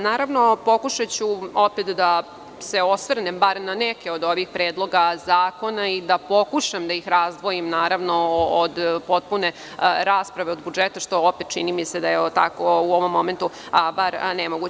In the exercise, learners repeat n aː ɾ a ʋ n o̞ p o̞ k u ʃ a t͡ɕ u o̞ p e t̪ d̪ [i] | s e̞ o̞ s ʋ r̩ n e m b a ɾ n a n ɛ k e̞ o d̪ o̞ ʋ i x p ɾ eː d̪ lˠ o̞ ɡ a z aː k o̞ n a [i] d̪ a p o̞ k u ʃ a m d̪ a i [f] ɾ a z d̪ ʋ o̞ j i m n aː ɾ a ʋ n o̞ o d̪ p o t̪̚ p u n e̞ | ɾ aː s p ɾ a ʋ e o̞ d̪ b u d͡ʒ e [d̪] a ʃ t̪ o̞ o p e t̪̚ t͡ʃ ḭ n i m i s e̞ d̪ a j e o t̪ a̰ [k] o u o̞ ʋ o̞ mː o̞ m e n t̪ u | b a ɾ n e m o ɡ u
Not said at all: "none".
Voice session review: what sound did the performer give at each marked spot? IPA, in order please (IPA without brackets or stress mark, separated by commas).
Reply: a, i, x, t̪, k